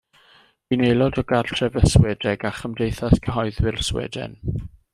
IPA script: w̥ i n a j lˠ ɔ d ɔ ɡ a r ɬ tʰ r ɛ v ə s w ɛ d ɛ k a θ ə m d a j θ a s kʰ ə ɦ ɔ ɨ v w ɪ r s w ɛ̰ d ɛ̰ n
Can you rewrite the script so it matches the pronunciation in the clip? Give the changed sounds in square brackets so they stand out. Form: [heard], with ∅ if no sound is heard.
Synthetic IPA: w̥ i n [e] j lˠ ɔ d ɔ ɡ a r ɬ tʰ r ɛ v ə s w ɛ d ɛ [ɡ] a [χ] ə m d [e] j θ a s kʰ ə ɦ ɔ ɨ [ð] w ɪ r s w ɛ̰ d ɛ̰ n